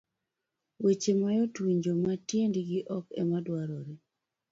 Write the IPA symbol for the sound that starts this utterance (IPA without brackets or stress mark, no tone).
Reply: w